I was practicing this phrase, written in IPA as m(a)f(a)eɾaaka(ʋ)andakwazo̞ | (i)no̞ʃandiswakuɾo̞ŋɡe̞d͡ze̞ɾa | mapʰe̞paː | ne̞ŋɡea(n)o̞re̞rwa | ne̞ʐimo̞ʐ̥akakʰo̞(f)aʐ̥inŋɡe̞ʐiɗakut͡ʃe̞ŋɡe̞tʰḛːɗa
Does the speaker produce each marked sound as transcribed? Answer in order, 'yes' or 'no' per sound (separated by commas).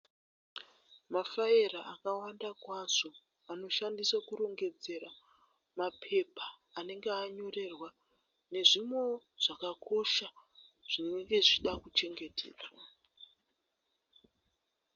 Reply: yes, yes, no, no, no, no